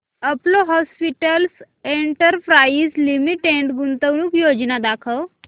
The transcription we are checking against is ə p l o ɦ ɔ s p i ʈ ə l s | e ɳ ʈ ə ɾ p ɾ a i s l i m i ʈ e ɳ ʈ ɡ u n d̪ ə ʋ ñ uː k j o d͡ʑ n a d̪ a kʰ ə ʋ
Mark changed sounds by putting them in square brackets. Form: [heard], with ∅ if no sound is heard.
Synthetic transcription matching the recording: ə p l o ɦ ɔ s p i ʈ ə l s | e ɳ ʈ ə ɾ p ɾ a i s l i m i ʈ e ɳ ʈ ɡ u n [t̪] ə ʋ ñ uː k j o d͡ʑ n a d̪ a kʰ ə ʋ